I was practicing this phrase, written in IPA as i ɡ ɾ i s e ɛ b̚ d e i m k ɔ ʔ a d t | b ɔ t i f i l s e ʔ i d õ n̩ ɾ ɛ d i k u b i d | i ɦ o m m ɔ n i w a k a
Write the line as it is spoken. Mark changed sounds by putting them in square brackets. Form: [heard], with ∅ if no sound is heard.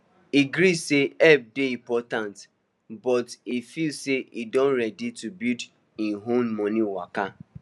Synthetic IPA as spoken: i ɡ ɾ i s e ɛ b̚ d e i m [p] ɔ [t] a [n] t | b ɔ t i f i l s e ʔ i d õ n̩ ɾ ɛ d i [t] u b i d | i ɦ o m m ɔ n i w a k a